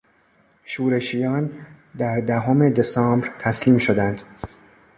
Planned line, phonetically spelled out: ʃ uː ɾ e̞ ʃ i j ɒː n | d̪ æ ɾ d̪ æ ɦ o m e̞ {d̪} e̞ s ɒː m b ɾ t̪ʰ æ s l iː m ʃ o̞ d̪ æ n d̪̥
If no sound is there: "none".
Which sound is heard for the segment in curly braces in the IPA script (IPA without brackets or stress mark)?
d̪